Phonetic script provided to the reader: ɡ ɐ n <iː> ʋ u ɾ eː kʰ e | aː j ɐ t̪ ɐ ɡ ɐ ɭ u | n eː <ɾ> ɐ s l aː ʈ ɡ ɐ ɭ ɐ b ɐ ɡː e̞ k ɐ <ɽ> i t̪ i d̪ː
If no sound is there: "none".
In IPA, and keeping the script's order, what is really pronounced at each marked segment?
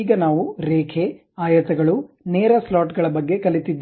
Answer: aː, ɾ, l

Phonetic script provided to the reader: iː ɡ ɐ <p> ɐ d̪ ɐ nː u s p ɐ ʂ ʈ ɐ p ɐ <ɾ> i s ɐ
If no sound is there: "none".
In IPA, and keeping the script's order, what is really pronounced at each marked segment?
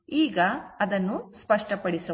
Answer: none, ɽ

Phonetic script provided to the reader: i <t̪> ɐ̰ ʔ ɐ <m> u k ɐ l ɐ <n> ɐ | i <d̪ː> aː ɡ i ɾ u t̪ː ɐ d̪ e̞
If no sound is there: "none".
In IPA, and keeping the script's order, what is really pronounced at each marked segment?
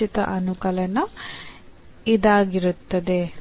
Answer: t̪, n, n, d̪

